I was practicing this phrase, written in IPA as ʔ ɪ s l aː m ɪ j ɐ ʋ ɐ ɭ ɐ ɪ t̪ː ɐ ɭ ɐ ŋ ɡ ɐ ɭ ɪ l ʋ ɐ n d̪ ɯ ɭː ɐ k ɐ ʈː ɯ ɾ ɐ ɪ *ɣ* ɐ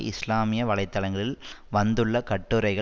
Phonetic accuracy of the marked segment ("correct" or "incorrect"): correct